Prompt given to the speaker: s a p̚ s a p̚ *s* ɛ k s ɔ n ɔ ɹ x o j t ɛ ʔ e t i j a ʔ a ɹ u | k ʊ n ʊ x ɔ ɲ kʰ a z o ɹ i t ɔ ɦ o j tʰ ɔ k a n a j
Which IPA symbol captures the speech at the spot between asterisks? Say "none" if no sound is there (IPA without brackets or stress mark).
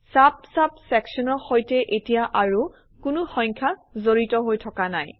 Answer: s